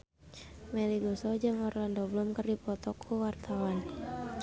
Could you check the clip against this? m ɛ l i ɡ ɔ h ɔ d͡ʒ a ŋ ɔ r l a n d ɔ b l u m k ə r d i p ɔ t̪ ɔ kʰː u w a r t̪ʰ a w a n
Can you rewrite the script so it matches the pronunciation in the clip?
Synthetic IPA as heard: m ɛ l i ɡ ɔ s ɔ d͡ʒ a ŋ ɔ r l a n d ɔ b l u m k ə r d i p ɔ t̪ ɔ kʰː u w a r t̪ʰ a w a n